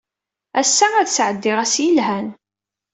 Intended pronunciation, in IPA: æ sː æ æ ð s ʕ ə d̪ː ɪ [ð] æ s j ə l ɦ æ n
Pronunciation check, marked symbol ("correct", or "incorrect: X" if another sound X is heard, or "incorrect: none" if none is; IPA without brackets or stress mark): incorrect: ʁ